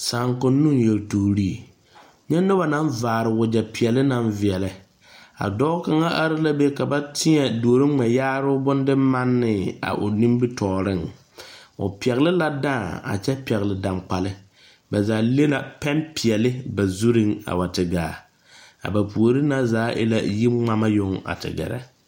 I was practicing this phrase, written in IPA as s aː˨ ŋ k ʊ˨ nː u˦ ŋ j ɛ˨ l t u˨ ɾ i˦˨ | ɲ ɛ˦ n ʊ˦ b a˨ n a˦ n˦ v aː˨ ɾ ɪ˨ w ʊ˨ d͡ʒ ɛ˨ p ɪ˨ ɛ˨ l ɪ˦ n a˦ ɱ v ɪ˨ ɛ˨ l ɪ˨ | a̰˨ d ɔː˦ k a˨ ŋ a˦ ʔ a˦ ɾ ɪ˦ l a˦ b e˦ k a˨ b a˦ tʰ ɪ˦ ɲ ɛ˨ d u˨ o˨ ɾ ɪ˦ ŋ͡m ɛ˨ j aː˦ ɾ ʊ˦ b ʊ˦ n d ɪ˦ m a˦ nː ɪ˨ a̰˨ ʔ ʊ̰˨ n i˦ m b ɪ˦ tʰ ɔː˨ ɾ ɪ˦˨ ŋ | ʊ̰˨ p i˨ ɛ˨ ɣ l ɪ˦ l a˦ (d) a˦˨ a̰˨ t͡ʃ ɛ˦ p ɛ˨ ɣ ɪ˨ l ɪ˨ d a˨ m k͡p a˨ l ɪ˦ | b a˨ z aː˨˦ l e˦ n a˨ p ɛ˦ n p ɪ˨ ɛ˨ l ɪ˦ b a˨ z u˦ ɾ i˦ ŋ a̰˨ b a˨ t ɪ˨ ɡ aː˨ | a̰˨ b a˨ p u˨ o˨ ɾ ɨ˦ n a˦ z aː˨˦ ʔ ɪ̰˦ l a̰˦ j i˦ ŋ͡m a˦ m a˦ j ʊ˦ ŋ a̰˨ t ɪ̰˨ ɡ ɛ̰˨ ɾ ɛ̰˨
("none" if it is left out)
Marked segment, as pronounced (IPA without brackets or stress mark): d